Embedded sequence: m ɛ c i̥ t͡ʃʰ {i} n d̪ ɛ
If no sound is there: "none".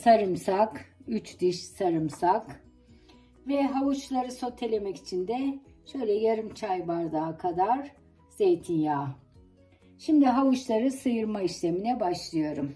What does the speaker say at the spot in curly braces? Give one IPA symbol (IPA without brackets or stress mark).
i